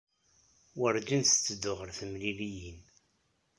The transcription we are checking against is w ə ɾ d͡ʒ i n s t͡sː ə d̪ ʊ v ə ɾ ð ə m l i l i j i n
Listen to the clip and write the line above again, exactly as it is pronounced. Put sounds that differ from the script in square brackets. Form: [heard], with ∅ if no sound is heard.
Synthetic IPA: w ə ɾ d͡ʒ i n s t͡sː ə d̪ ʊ [ʁ] ə ɾ [θ] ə m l i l i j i n